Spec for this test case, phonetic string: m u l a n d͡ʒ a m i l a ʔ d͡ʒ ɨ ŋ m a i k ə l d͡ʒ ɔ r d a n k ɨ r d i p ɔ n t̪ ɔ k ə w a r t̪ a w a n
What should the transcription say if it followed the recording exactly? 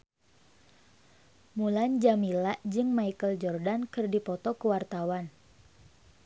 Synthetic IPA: m u l a n d͡ʒ a m i l a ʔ d͡ʒ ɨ ŋ m a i k ə l d͡ʒ ɔ r d a n k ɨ r d i p ɔ t̪ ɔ k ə w a r t̪ a w a n